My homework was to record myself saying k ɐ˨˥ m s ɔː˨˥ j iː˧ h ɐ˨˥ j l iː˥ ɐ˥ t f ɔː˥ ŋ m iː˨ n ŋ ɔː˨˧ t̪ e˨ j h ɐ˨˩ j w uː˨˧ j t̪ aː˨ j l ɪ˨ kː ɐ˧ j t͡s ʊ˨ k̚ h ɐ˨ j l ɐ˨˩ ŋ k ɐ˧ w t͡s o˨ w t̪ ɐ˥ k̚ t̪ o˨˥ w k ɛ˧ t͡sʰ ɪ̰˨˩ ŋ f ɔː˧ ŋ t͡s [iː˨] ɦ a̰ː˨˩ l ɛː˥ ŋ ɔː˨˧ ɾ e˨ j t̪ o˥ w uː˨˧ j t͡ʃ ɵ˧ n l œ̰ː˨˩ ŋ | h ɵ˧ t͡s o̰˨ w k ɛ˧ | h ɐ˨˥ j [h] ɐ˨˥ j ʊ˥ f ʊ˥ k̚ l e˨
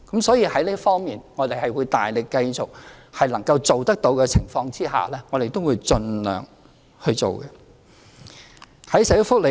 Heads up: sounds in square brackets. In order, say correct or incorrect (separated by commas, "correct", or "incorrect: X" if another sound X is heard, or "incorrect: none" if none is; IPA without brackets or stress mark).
incorrect: iː˥, incorrect: s